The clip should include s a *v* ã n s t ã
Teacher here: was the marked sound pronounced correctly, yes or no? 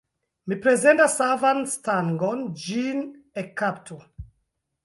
yes